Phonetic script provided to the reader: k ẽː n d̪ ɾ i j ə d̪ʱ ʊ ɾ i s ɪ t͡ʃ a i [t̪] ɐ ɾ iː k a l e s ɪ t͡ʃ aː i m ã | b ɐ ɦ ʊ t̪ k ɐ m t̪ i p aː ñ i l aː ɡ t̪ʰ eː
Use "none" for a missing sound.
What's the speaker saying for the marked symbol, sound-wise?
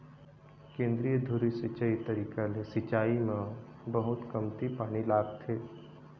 t̪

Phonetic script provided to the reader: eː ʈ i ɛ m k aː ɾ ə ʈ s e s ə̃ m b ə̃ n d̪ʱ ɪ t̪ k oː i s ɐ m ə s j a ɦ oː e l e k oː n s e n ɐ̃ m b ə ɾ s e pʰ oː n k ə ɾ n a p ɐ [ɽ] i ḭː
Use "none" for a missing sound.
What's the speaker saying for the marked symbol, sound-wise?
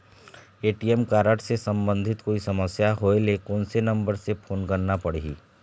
ɽ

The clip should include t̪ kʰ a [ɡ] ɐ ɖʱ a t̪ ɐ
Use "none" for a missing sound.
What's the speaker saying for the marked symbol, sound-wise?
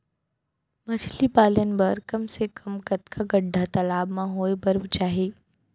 ɡ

